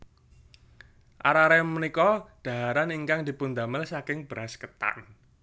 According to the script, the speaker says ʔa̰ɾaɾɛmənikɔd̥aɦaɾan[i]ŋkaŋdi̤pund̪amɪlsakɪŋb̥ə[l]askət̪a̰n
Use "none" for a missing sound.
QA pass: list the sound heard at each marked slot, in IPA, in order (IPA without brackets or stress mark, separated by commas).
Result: i, ɾ